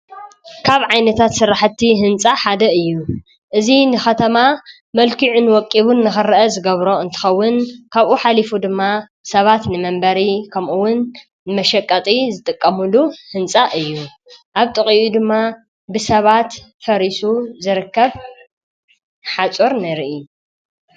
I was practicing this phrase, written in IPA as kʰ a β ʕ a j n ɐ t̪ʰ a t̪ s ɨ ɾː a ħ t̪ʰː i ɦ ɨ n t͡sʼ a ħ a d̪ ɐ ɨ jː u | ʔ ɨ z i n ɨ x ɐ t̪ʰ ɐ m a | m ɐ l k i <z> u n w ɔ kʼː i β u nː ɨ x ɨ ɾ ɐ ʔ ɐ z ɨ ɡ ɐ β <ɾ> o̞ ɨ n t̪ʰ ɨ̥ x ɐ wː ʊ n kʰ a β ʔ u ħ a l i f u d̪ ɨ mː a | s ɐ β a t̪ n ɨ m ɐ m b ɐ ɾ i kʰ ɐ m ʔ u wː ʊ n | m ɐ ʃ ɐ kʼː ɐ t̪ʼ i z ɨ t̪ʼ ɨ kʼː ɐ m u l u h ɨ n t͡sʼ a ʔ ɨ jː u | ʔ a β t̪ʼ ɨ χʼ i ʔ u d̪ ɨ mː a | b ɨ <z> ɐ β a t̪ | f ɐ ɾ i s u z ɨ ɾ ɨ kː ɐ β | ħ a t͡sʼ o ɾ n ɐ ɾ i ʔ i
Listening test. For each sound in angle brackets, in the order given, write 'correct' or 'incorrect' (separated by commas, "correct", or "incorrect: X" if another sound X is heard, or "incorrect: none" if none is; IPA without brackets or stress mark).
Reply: incorrect: ʕ, correct, incorrect: s